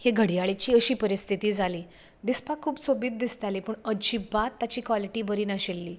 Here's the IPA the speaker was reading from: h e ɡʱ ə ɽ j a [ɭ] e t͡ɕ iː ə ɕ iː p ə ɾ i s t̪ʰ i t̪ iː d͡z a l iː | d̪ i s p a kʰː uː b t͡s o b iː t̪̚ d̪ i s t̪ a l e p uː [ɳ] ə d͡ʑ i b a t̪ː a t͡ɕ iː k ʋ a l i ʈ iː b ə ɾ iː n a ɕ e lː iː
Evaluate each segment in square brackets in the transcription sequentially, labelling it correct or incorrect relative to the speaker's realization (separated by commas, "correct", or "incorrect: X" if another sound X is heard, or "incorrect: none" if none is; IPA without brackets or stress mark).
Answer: correct, correct